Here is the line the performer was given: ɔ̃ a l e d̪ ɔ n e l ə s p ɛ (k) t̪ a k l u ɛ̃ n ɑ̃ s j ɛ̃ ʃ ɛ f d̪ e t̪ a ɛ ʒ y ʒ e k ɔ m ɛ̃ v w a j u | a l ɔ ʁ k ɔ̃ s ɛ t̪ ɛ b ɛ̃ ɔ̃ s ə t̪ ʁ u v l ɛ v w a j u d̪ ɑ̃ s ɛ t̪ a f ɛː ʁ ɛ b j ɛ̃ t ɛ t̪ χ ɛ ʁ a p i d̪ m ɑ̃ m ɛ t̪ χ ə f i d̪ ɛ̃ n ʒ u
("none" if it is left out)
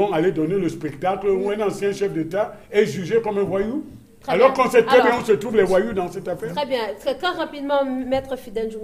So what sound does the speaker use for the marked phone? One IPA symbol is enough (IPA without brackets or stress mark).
k